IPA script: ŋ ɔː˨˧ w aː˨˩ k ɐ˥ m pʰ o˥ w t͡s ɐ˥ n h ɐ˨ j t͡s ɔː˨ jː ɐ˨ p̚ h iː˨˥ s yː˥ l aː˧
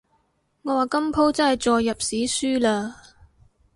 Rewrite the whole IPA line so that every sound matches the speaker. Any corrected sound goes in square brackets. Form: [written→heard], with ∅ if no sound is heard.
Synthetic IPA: ŋ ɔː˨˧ w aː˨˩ k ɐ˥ m pʰ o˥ w t͡s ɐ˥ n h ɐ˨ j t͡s ɔː˨ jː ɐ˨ p̚ [h→s] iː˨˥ s yː˥ l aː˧